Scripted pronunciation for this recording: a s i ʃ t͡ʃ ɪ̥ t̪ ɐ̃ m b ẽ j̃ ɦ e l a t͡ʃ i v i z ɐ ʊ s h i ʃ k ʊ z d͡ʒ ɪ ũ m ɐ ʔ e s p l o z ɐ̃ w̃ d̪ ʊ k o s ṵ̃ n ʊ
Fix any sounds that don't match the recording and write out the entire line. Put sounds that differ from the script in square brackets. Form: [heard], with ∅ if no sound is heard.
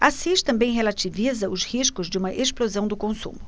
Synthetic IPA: a s i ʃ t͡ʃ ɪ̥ t̪ ɐ̃ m b ẽ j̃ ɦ e l a t͡ʃ i v i z ɐ ʊ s h i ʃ k ʊ z d͡ʒ ɪ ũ m ɐ ʔ e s p l o z ɐ̃ w̃ d̪ ʊ k [õ] s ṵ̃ [m] ʊ